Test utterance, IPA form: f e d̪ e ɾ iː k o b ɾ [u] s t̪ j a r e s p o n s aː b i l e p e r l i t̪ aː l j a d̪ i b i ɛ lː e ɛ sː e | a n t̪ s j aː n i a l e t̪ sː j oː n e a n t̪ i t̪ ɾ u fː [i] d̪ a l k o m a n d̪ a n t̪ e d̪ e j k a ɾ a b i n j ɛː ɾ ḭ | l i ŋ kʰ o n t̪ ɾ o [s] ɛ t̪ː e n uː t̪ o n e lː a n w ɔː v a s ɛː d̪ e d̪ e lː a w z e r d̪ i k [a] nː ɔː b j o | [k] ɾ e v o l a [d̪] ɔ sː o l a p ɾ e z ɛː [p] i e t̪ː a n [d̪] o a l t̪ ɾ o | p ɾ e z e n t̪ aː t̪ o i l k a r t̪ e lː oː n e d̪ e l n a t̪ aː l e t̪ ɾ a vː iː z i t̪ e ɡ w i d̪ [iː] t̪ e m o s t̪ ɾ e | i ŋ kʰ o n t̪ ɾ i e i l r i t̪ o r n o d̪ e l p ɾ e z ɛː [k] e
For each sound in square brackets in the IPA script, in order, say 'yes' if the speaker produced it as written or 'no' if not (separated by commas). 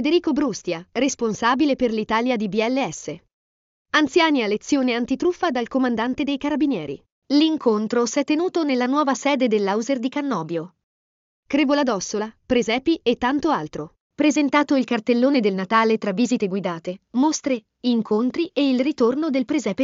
yes, no, yes, yes, yes, yes, yes, no, no, no